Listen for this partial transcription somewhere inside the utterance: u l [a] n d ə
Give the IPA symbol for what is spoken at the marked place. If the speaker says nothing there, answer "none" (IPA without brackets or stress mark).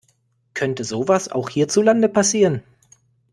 a